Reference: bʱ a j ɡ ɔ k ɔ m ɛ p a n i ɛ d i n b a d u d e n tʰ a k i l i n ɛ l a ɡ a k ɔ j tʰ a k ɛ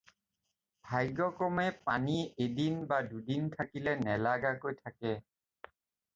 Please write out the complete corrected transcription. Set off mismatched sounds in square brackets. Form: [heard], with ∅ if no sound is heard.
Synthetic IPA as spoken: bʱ a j ɡ ɔ k ɔ m ɛ p a n i [e] d i n b a d u d [i] n tʰ a k i l [ɛ] n ɛ l a ɡ a k [o] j tʰ a k ɛ